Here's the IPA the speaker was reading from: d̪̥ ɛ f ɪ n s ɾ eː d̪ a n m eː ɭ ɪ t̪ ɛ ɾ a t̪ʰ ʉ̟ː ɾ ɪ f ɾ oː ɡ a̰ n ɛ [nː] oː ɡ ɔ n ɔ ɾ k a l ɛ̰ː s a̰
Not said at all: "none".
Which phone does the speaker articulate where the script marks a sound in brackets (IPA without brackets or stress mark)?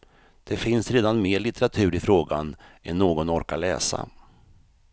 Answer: nː